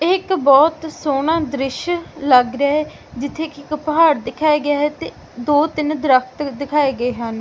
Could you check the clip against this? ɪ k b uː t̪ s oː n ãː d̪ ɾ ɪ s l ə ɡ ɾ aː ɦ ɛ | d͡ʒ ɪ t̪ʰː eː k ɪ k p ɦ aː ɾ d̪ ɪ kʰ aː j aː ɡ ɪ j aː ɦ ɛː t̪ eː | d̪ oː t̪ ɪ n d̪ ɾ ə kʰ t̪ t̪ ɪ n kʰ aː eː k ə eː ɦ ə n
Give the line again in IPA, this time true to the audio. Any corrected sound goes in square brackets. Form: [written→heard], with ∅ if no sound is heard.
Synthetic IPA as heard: ɪ k b [uː→ɔː] t̪ s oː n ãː d̪ ɾ ɪ [s→ʃ] l ə ɡ ɾ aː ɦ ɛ | d͡ʒ ɪ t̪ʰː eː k ɪ k p ɦ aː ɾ d̪ ɪ kʰ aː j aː ɡ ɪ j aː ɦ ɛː t̪ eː | d̪ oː t̪ ɪ n d̪ ɾ ə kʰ t̪ [t̪→d̪] ɪ [n→∅] kʰ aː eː [k→ɡ] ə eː ɦ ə n